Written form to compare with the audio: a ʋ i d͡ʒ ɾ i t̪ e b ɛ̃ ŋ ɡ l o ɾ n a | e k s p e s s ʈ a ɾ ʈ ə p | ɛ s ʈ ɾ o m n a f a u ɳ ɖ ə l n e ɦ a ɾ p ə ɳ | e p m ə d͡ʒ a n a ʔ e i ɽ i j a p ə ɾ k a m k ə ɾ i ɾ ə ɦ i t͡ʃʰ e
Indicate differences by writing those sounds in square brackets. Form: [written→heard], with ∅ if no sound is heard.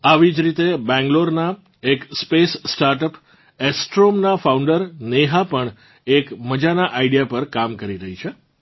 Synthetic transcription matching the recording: a ʋ i d͡ʒ ɾ i t̪ e b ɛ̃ ŋ ɡ l o ɾ n a | e k s p e s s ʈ a ɾ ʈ ə p | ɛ s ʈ ɾ o m n a f a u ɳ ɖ ə [l→ɾ] n e ɦ a [ɾ→∅] p ə ɳ | e [p→k] m ə d͡ʒ a n a ʔ [e→a] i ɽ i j a p ə ɾ k a m k ə ɾ i ɾ ə ɦ i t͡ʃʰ e